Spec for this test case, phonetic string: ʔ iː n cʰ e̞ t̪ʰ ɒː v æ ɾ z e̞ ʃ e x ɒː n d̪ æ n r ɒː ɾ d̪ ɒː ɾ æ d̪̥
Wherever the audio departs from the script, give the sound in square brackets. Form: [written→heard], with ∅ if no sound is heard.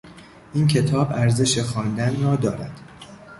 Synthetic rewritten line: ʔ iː n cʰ e̞ t̪ʰ ɒː [v→b] æ ɾ z e̞ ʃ e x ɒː n d̪ æ n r ɒː [ɾ→∅] d̪ ɒː ɾ æ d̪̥